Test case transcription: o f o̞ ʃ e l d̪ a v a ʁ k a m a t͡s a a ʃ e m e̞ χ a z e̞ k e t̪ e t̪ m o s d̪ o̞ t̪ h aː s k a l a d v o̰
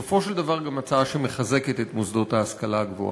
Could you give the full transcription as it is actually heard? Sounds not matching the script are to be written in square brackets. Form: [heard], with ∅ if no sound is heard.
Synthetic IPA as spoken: o f o̞ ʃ e l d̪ a v a ʁ [ɡ] a m a t͡s a a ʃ e m e̞ χ a z e̞ k e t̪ e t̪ m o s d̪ o̞ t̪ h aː s k a l a [ɡ] v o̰